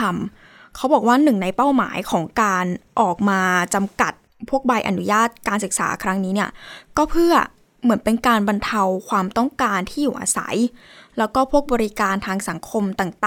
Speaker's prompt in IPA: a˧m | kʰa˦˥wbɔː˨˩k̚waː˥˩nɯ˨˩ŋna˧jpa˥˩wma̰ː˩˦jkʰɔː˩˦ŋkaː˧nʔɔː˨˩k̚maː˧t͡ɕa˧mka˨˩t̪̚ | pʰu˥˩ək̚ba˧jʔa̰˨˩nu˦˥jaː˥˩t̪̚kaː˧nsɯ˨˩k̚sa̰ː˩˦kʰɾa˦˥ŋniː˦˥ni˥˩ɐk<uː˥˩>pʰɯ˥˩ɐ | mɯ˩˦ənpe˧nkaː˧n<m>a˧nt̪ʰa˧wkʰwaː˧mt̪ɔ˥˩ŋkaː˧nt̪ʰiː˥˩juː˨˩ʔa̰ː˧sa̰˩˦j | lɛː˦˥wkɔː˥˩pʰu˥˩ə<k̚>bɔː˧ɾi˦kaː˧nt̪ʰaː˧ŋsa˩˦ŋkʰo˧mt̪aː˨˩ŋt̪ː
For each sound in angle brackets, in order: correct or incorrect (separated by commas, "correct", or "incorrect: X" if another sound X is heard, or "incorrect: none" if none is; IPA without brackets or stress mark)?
incorrect: ɔː˥˩, incorrect: b, correct